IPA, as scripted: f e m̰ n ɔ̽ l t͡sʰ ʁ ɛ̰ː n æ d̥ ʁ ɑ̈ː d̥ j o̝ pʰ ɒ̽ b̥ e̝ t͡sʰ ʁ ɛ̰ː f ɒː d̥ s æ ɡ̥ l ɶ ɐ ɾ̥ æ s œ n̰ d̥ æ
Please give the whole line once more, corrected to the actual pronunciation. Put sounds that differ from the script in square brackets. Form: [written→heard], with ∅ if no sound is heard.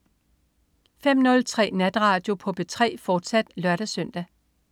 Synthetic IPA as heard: f e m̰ n ɔ̽ l t͡sʰ ʁ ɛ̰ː n æ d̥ ʁ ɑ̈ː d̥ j o̝ pʰ ɒ̽ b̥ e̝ t͡sʰ ʁ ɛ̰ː f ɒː d̥ s æ [ɡ̥→d̥] l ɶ ɐ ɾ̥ æ s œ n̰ d̥ æ